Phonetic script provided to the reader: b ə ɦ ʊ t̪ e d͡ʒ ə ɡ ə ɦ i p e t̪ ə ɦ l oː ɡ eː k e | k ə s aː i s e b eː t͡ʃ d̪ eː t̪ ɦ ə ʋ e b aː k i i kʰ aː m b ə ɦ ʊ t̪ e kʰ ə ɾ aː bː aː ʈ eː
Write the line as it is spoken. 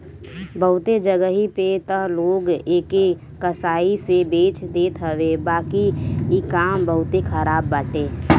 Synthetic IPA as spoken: b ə ɦ ʊ t̪ e d͡ʒ ə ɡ ə ɦ i p e t̪ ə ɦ l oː ɡ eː k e | k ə s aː i s e b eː t͡ʃ d̪ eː t̪ ɦ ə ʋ e b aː k i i k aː m b ə ɦ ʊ t̪ e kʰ ə ɾ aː bː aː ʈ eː